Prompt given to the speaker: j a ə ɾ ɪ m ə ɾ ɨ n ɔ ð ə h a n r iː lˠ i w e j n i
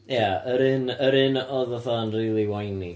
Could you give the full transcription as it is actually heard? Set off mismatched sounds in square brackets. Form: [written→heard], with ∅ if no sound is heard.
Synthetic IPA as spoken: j a ə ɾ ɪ [m→n] ə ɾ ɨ n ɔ ð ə [h→θ] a n r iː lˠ i w [e→a] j n i